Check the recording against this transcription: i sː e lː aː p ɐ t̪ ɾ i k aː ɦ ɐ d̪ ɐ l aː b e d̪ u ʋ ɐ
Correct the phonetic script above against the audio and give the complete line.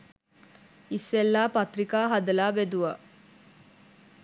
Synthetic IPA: i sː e lː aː p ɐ t̪ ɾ i k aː ɦ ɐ d̪ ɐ l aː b e d̪ u ʋ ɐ